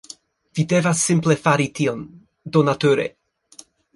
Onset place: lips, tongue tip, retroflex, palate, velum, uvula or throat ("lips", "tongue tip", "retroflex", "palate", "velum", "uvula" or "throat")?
lips